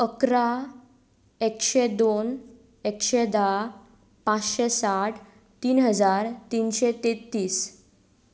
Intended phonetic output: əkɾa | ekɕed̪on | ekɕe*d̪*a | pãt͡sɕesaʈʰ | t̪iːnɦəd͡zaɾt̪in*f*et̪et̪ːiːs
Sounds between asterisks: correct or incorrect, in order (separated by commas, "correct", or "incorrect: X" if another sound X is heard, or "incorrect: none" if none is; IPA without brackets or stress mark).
correct, incorrect: ɕ